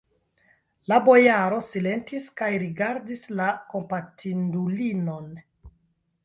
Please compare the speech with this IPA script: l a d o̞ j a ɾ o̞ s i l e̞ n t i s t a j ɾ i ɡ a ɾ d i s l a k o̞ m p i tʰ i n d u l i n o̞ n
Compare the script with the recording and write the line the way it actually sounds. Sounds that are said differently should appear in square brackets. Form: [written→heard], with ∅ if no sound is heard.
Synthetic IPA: l a [d→b] o̞ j a ɾ o̞ s i l e̞ n t i s [t→k] a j ɾ i ɡ a ɾ d i s l a k o̞ m p [i→a] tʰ i n d u l i n o̞ n